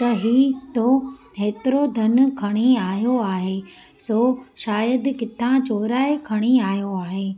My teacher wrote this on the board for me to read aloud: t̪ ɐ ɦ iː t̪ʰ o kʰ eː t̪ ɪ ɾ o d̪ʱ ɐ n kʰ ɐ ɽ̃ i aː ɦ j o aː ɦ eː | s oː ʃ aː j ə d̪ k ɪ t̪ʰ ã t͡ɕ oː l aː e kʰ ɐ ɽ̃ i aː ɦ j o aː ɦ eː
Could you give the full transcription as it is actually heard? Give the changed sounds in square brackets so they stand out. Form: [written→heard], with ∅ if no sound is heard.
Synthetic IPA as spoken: t̪ ɐ ɦ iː [t̪ʰ→t̪] o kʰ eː t̪ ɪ ɾ o d̪ʱ ɐ n kʰ ɐ ɽ̃ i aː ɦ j o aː ɦ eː | s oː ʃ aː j ə d̪ k ɪ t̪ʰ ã t͡ɕ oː [l→ɾ] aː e kʰ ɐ ɽ̃ i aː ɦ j o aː ɦ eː